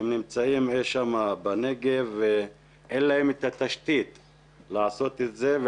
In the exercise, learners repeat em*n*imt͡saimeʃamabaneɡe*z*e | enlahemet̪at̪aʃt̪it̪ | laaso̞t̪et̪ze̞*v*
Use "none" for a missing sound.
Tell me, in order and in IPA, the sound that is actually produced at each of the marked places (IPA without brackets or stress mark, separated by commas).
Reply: n, v, v